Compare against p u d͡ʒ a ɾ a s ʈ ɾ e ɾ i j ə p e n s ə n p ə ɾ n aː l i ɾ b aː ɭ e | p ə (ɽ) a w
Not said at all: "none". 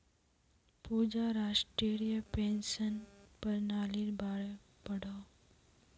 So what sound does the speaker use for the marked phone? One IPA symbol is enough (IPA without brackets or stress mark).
ɽ